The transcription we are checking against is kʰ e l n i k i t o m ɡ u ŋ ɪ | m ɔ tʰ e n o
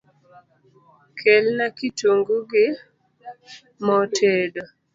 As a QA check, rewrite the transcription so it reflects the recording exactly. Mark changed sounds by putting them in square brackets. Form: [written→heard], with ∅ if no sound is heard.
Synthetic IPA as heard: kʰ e l n [i→a] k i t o [m→ŋ] ɡ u [ŋ→ɡ] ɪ | m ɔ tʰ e [n→d] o